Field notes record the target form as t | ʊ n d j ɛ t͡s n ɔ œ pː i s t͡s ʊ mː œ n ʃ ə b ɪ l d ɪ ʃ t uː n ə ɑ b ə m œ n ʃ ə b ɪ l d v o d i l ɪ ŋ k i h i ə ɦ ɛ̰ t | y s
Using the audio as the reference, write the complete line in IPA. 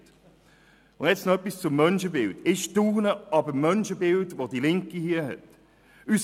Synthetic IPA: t | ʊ n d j ɛ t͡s n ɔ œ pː i s t͡s ʊ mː œ n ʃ ə b ɪ l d ɪ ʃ t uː n ə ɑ b ə m œ n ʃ ə b ɪ l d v o d i l ɪ ŋ k i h i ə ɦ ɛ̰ t | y s